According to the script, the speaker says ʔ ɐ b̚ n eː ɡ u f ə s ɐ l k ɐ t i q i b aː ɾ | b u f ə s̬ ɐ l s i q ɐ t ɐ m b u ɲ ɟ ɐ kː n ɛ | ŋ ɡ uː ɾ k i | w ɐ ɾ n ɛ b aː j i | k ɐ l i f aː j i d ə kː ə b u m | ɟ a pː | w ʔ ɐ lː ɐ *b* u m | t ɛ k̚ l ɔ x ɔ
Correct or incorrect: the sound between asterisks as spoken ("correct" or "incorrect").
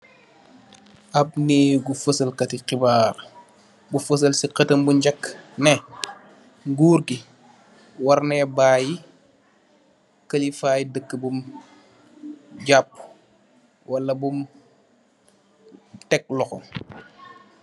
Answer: correct